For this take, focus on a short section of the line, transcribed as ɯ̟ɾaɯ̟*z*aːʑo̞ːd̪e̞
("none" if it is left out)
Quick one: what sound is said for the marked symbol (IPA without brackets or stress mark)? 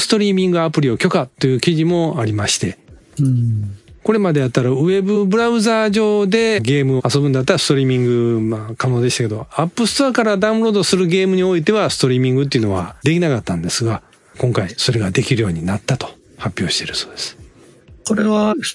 z